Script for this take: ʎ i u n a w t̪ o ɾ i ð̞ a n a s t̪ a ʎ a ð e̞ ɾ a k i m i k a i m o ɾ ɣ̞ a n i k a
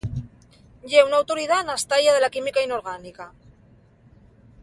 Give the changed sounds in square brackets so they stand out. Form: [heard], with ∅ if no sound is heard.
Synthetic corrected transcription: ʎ [e] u n a w t̪ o ɾ i ð̞ a n a s t̪ a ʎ a ð e̞ [l] a k i m i k a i [n] o ɾ ɣ̞ a n i k a